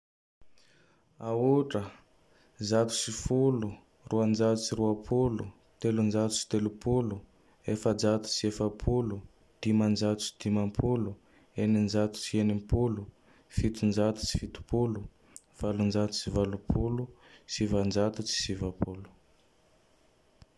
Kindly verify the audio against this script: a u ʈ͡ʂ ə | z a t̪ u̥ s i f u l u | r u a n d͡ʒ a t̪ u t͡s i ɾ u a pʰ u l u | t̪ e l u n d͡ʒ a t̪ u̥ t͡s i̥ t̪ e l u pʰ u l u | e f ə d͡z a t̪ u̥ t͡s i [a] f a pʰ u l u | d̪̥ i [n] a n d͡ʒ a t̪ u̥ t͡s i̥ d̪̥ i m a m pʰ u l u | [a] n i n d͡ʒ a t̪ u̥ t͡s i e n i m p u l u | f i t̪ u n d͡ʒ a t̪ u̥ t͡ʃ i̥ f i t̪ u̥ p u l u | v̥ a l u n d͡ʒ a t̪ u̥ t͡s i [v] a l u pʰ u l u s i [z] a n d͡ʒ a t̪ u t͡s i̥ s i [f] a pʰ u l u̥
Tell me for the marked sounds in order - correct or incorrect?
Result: incorrect: e, incorrect: m, incorrect: e, correct, incorrect: v, incorrect: v

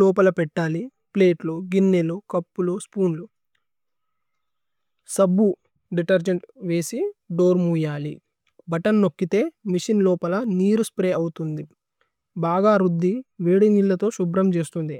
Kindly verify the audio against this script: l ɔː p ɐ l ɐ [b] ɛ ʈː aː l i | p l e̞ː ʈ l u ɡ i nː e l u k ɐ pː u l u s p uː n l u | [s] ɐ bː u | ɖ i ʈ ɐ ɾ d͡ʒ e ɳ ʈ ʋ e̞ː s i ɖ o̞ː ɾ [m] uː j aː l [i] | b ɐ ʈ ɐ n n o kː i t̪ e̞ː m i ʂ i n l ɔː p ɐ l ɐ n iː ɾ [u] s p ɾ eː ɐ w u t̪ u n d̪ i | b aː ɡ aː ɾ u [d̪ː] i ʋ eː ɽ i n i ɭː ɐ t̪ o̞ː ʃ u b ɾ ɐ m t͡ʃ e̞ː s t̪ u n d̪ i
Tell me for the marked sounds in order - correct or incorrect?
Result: incorrect: p, correct, correct, correct, correct, correct

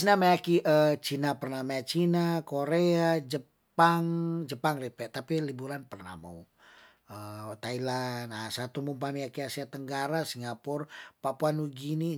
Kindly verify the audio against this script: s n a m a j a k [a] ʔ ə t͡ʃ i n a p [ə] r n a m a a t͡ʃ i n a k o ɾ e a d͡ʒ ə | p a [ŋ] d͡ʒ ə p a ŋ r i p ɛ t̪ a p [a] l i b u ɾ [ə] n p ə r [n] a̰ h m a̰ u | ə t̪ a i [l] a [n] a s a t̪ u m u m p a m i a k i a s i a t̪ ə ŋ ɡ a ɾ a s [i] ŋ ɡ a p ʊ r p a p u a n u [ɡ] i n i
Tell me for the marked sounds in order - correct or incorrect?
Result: incorrect: i, correct, correct, incorrect: i, incorrect: a, correct, correct, correct, correct, correct

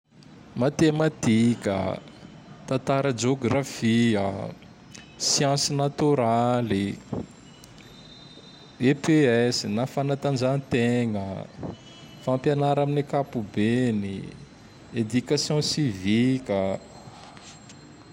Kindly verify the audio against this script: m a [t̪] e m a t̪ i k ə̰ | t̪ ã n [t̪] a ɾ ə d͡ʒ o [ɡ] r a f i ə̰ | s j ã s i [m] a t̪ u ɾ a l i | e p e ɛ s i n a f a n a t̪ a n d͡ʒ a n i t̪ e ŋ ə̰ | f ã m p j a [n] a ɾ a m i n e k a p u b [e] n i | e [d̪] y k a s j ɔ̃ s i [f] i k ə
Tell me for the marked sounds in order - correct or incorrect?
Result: correct, correct, correct, incorrect: n, correct, correct, correct, incorrect: v

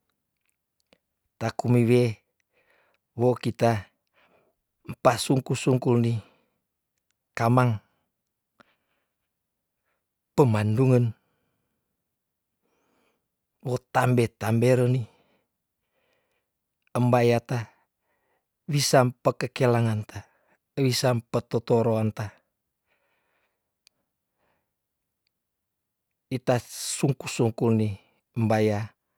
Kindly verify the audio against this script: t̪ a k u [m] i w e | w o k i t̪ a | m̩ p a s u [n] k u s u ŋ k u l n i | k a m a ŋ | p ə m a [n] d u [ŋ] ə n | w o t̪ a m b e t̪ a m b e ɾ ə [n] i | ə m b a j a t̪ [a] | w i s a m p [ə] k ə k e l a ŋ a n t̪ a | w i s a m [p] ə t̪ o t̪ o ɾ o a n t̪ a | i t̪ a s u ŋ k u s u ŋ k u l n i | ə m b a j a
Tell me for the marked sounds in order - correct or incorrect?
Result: correct, incorrect: ŋ, correct, correct, correct, correct, correct, correct

